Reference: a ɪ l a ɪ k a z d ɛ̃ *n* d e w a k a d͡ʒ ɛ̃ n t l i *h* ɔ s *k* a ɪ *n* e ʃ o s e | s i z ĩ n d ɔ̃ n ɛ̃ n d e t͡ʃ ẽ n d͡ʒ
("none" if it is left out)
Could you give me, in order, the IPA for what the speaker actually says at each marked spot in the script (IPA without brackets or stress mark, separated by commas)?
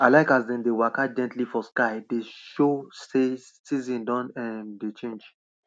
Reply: n, f, k, d